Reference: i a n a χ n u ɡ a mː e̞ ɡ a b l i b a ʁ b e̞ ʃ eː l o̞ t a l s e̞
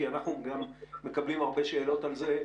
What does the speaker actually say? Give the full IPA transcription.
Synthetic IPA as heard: i a n a χ n u ɡ a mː e̞ k a b l i m a ʁ b e̞ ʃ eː l o̞ t a l z e̞